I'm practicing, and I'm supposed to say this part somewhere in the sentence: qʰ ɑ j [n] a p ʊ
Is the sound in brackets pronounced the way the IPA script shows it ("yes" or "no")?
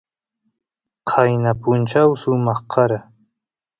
yes